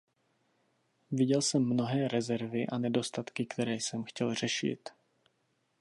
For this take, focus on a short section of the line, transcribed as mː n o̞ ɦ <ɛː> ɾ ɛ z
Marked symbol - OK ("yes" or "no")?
yes